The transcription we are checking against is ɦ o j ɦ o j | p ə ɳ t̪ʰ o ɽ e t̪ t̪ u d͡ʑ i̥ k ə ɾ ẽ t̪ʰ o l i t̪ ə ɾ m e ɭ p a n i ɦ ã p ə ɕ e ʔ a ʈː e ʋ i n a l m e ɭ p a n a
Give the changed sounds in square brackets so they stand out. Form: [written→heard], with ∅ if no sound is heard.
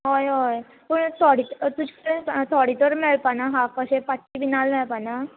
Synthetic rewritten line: ɦ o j ɦ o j | p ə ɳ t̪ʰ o ɽ [e→i] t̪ t̪ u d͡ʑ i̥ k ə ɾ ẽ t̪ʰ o [l→ɽ] i t̪ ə ɾ m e ɭ p a n [i→a] ɦ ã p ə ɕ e [ʔ→p] a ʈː [e→i] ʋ i n a l m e ɭ p a n a